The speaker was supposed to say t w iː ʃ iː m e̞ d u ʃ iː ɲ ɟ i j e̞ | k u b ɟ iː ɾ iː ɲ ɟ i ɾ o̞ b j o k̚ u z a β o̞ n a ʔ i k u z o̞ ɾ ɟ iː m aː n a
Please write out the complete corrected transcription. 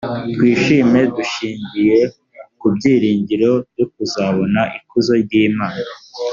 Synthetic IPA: t w iː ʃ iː m e̞ d u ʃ iː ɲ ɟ i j e̞ | k u b ɟ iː ɾ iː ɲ ɟ i ɾ o̞ b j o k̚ u z a β o̞ n a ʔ i k u z o̞ ɾ ɟ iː m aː n a